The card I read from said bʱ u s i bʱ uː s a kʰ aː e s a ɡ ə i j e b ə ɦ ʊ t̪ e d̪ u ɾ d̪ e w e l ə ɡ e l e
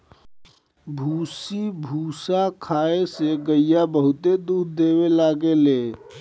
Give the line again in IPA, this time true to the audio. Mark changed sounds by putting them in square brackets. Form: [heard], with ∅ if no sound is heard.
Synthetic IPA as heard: bʱ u s i bʱ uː s a kʰ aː e s [e] ɡ ə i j [a] b ə ɦ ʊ t̪ e d̪ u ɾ d̪ e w e l [a] ɡ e l e